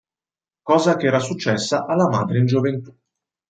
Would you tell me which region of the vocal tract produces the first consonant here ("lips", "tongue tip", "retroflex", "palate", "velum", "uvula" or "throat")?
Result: velum